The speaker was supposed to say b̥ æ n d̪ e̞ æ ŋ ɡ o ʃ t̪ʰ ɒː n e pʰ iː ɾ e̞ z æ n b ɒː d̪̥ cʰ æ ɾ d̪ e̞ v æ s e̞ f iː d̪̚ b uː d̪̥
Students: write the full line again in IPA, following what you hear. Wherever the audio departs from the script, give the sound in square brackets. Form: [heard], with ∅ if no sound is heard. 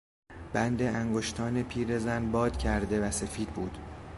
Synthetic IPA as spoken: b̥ æ n d̪ e̞ æ ŋ ɡ o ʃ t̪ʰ ɒː n e pʰ iː ɾ e̞ z æ n b ɒː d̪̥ cʰ æ ɾ d̪ e̞ v æ s e̞ f iː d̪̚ b uː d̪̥